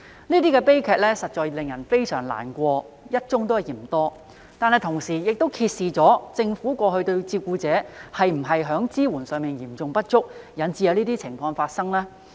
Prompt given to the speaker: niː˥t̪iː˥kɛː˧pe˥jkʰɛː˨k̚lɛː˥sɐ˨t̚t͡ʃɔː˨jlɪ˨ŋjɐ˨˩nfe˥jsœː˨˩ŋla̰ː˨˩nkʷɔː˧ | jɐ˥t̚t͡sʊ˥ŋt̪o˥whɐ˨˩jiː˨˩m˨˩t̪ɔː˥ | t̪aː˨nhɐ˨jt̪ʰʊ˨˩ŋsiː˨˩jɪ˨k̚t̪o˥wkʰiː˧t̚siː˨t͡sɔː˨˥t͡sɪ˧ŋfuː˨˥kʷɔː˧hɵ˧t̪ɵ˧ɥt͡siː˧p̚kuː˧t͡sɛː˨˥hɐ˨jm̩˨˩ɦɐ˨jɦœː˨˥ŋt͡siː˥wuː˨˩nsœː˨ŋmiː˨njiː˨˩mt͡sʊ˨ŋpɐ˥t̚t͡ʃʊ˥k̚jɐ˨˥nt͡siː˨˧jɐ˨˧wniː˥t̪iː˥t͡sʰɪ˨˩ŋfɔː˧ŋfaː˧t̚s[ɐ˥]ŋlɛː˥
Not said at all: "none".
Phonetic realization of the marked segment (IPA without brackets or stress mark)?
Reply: ɐ˥